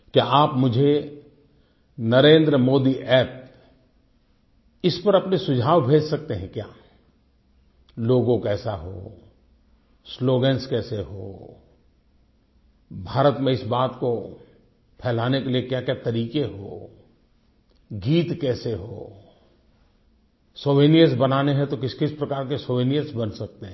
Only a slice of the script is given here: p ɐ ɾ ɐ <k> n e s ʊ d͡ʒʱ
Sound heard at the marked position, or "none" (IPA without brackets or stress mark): p